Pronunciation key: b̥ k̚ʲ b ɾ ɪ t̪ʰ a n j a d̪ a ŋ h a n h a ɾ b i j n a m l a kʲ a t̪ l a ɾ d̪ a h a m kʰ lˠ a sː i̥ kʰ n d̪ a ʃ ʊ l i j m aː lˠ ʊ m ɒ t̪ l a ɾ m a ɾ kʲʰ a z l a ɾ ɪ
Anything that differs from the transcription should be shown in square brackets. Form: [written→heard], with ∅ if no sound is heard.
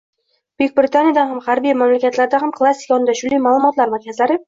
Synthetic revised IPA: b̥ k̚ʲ b ɾ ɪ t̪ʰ a n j a d̪ a [ŋ→n] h a [n→m] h a ɾ b i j [n→m] a m l a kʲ a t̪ l a ɾ d̪ a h a m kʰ lˠ a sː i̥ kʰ n d̪ a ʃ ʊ l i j m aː lˠ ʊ m ɒ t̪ l a ɾ m a ɾ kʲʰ a z l a ɾ ɪ